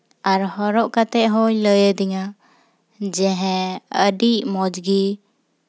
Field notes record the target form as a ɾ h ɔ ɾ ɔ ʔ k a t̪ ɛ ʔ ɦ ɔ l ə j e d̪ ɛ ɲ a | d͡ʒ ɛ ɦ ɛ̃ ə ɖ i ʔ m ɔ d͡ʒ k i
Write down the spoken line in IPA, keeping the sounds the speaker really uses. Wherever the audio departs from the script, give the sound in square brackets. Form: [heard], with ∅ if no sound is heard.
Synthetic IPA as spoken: a ɾ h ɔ ɾ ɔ ʔ k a t̪ ɛ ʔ ɦ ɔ l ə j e d̪ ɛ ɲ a | d͡ʒ ɛ ɦ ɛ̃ ə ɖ i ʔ m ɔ d͡ʒ [ɡ] i